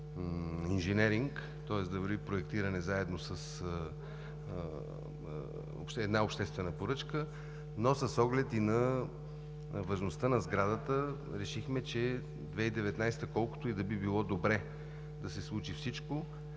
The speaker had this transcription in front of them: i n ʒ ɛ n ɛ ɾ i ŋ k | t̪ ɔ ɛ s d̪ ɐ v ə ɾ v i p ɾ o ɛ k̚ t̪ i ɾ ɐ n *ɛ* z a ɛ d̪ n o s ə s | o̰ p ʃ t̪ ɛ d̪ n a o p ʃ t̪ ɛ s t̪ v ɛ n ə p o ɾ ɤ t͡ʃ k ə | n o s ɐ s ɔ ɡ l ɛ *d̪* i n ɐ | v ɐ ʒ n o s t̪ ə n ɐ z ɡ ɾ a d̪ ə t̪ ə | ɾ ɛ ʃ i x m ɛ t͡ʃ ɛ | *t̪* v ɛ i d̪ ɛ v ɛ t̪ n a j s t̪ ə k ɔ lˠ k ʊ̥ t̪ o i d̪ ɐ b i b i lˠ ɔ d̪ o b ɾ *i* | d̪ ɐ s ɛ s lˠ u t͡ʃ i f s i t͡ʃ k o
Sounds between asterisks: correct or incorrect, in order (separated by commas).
correct, incorrect, incorrect, incorrect